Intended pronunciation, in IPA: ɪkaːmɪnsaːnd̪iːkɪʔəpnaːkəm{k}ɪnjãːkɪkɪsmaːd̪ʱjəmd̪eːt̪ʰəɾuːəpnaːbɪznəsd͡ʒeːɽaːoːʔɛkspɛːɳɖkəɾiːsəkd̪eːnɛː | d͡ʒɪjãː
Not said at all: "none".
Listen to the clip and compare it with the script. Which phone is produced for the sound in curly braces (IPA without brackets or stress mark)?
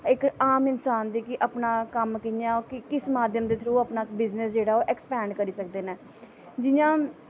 k